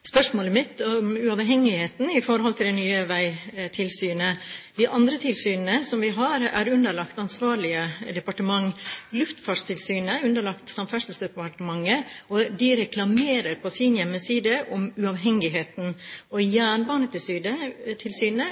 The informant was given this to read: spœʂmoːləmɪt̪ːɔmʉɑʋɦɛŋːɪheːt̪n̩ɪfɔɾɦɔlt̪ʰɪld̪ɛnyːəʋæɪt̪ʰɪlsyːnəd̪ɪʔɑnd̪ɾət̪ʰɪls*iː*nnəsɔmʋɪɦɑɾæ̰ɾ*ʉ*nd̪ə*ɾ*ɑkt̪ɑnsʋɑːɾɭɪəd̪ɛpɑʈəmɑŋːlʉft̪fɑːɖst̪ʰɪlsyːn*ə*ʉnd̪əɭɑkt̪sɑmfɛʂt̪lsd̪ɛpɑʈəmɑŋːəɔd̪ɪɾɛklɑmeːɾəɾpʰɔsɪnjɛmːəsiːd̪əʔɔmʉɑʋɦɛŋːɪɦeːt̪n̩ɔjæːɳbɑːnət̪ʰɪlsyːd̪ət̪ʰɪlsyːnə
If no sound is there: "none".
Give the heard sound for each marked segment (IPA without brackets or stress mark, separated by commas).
yː, ʉ, ɭ, ə